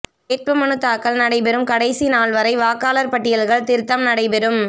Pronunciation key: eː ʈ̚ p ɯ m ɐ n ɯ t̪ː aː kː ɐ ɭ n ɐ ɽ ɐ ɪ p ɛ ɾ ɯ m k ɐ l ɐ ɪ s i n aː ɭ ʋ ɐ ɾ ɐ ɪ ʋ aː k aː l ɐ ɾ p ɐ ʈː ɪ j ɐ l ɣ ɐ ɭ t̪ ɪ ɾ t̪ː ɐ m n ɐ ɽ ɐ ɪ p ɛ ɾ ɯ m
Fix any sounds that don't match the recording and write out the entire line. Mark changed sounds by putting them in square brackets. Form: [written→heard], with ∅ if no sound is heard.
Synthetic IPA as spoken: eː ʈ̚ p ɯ m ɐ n ɯ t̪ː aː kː ɐ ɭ n ɐ ɽ ɐ ɪ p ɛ ɾ ɯ m k ɐ [l→ɽ] ɐ ɪ s i n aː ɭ ʋ ɐ ɾ ɐ ɪ ʋ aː k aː l ɐ ɾ p ɐ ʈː ɪ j ɐ l ɣ ɐ ɭ t̪ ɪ ɾ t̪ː ɐ m n ɐ ɽ ɐ ɪ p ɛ ɾ ɯ m